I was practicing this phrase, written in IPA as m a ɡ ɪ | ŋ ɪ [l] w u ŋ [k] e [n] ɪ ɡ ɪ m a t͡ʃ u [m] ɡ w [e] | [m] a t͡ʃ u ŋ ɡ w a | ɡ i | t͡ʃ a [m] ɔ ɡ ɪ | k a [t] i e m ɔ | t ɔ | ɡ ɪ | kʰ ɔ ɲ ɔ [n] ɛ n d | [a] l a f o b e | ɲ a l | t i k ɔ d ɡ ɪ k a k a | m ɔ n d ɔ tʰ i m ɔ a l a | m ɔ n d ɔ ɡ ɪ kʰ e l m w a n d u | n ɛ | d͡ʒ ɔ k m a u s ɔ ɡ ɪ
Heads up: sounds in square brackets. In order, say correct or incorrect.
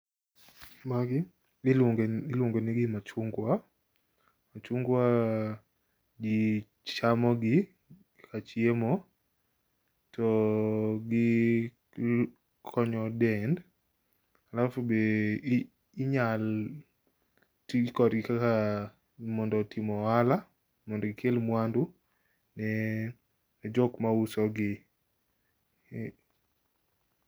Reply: correct, incorrect, correct, incorrect, incorrect, correct, correct, incorrect, incorrect, correct

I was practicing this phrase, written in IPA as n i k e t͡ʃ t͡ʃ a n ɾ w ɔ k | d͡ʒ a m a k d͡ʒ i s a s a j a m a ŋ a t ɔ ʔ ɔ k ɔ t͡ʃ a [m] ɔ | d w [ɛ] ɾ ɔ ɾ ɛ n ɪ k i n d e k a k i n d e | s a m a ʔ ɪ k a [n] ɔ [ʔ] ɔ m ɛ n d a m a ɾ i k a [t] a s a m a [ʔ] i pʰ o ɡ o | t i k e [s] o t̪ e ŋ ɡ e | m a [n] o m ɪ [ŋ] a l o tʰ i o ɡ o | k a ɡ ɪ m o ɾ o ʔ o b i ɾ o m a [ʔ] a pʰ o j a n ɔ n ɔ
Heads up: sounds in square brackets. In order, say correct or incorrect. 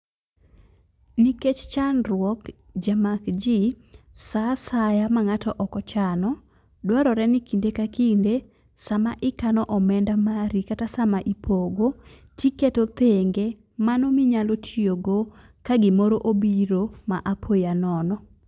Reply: incorrect, incorrect, correct, correct, correct, correct, incorrect, correct, incorrect, correct

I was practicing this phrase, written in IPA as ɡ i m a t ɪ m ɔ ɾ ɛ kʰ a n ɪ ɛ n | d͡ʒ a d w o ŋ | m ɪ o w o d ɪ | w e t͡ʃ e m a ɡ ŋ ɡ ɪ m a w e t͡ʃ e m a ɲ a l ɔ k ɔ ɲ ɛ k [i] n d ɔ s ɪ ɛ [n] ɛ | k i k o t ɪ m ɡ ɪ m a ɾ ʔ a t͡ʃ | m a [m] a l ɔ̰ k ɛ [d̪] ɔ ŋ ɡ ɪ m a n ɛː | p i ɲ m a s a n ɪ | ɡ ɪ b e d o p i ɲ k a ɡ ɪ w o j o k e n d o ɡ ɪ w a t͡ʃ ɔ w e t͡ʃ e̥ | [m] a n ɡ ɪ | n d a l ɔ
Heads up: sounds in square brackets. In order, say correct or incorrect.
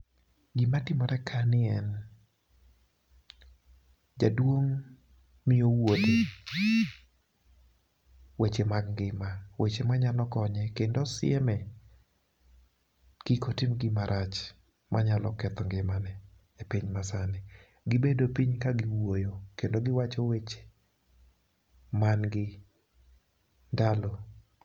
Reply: incorrect, incorrect, incorrect, incorrect, correct

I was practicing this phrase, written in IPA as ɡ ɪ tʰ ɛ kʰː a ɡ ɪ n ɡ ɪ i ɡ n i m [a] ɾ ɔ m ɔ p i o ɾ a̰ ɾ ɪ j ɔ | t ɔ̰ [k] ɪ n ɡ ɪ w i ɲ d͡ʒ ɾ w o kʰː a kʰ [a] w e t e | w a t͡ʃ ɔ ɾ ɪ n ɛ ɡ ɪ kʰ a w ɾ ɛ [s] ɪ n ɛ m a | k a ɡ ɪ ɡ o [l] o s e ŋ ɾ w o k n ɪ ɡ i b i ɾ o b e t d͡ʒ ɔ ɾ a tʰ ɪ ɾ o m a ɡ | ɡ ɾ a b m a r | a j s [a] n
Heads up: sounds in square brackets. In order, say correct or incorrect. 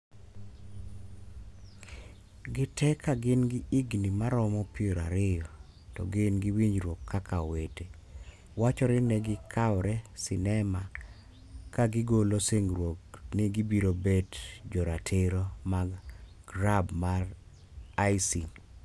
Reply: correct, incorrect, correct, correct, correct, incorrect

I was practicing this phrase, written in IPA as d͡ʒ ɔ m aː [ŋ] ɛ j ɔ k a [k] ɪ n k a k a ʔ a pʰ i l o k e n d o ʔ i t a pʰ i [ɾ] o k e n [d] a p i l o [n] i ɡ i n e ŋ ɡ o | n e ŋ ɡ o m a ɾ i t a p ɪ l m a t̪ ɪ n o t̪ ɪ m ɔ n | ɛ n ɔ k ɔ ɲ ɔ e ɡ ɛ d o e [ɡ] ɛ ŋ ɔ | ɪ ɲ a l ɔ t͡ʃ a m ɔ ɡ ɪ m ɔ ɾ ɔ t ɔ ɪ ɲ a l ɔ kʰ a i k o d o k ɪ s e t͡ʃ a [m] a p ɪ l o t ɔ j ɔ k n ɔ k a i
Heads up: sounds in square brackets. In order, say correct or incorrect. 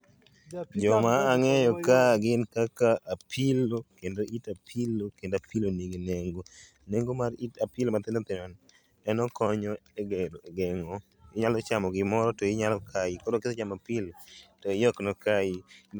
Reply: correct, incorrect, incorrect, correct, correct, correct, correct

